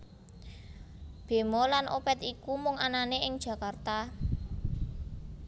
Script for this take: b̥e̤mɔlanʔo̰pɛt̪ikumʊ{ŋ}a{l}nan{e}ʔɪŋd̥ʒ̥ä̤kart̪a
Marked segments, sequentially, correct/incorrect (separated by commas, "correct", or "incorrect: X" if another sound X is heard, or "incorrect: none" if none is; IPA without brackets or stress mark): correct, incorrect: none, correct